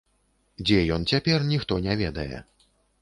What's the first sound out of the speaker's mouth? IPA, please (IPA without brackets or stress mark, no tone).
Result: d͡zʲ